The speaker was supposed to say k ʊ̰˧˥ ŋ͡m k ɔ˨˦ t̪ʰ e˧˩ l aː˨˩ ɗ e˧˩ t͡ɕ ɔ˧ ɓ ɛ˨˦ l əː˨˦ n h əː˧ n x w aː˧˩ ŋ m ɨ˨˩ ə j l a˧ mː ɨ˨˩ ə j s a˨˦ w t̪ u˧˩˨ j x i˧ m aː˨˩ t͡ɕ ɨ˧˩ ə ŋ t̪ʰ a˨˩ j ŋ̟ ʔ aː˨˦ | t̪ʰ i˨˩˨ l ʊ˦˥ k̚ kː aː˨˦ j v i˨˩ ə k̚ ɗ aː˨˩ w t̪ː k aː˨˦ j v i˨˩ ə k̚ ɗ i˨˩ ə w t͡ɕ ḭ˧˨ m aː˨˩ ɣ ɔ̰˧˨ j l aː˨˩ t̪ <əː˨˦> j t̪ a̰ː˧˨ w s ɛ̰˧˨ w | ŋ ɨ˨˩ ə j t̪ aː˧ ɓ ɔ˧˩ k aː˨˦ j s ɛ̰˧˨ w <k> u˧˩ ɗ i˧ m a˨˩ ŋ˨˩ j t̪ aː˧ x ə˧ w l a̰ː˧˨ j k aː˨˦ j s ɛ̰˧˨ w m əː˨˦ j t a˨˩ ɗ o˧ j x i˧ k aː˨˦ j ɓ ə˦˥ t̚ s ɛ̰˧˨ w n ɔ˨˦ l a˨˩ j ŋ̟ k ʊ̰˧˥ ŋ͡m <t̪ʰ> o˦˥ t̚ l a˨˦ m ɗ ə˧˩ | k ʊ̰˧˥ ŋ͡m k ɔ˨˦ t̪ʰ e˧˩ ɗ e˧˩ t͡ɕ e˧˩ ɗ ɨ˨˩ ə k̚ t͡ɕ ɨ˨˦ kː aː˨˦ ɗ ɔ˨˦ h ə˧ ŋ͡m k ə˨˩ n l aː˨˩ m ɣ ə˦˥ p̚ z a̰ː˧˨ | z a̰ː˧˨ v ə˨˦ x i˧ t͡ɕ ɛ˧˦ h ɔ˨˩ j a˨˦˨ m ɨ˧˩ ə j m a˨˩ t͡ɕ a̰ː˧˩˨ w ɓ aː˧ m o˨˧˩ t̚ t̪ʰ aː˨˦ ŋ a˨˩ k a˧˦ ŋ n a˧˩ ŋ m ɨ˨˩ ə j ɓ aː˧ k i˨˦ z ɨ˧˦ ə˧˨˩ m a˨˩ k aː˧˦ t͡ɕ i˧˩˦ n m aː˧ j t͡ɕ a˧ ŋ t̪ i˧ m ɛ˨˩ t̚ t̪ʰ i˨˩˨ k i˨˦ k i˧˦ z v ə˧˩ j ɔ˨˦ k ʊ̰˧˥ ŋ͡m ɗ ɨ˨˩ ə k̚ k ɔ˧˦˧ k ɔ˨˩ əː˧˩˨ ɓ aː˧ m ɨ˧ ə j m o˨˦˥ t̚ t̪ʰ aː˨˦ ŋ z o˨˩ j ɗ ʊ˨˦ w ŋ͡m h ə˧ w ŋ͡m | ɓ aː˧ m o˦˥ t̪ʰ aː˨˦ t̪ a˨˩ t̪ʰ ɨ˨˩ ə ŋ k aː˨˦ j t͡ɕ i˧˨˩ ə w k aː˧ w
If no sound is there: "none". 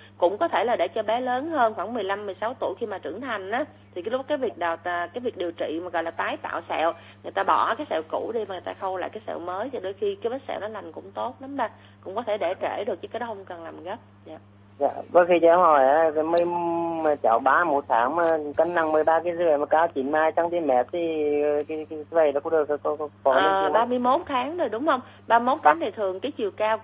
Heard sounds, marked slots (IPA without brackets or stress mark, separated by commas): aː˨˦, k, t̪